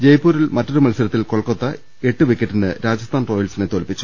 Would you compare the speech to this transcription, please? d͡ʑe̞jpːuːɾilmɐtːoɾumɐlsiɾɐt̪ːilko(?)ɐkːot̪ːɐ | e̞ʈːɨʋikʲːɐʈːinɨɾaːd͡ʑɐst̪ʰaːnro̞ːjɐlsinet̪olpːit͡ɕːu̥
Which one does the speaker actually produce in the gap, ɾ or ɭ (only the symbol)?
ɭ